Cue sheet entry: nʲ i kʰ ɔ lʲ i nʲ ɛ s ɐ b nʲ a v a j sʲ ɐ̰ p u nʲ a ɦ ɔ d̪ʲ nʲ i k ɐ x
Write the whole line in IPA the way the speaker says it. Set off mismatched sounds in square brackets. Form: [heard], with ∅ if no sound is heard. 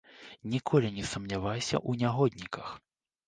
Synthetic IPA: nʲ i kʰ ɔ lʲ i nʲ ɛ s ɐ [m] nʲ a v a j sʲ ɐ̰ [ʔ] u nʲ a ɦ ɔ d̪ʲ nʲ i k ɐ x